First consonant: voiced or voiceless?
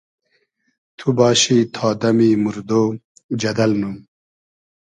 voiceless